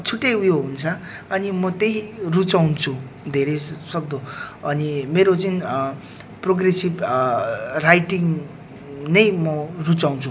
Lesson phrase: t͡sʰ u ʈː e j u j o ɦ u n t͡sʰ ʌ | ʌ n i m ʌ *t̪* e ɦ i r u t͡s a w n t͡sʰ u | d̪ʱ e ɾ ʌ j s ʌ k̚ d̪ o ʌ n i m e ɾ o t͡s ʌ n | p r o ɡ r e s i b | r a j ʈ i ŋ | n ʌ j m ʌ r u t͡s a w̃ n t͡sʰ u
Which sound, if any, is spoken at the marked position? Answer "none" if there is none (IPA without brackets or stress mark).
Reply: t̪